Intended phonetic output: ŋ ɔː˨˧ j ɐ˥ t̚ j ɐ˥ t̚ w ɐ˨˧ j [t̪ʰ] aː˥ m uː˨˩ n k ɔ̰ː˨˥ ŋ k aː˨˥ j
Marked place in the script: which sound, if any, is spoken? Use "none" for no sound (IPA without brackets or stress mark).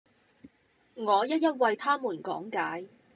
t̪ʰ